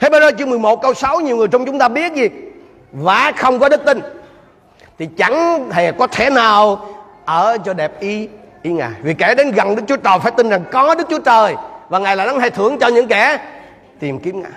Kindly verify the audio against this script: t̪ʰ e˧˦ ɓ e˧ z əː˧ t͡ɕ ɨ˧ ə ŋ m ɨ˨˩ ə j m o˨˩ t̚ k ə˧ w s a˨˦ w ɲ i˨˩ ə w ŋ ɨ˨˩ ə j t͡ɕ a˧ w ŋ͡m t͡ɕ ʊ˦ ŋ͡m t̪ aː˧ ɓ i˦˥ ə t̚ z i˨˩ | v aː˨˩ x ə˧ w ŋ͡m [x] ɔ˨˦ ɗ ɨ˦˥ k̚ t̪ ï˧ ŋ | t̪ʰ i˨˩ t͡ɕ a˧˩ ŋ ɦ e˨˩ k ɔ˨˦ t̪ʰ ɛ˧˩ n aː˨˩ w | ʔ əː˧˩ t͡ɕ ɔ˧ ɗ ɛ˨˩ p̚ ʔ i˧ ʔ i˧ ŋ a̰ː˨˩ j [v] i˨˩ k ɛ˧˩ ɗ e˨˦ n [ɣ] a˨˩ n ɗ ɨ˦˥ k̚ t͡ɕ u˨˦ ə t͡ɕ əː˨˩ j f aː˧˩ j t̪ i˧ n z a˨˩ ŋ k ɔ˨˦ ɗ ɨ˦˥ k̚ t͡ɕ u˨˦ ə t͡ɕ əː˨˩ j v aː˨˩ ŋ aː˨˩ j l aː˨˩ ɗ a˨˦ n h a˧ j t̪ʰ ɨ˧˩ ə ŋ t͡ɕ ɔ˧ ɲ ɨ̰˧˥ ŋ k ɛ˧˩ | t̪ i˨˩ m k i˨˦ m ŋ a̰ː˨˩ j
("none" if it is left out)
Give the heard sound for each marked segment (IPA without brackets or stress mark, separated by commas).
k, v, ɣ